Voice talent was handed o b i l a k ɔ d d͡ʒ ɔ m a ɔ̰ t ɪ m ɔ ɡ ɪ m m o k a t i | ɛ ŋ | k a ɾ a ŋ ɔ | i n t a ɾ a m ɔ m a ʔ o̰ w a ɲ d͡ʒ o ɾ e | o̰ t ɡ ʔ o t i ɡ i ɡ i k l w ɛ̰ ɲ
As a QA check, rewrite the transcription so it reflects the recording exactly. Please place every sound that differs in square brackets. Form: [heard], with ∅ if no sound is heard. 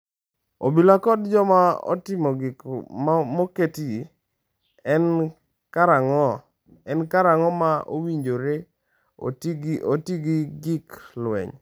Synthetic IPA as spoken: o b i l a k ɔ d d͡ʒ ɔ m a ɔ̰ t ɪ m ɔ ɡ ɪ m m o k [e] t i | ɛ [n] | k a ɾ a ŋ ɔ | [ɛ] n [k] a ɾ a [ŋ] ɔ m a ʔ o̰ w [i] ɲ d͡ʒ o ɾ e | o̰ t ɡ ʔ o t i ɡ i ɡ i k l w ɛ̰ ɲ